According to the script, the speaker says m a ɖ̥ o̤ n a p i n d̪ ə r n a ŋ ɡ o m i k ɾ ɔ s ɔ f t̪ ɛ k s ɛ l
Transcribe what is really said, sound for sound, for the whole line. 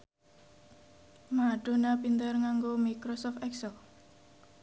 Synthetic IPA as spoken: m a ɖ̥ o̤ n a p i n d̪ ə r ŋ a ŋ ɡ o m i k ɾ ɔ s ɔ f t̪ ɛ k s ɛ l